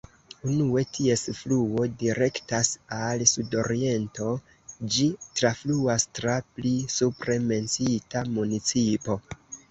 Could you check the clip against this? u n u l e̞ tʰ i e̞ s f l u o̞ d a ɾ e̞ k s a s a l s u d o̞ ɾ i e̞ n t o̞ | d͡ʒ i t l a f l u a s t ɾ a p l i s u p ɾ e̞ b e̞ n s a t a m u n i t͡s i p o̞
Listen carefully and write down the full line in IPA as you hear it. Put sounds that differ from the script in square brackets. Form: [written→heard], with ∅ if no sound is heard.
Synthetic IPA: u n u [l→∅] e̞ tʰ i e̞ s f l u o̞ d [a→i] ɾ e̞ k [s→t] a s a l s u d o̞ ɾ i e̞ n t o̞ | d͡ʒ i t [l→ɾ] a f l u a s t ɾ a p l i s u p ɾ e̞ [b→m] e̞ n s [a→i] t a m u n i t͡s i p o̞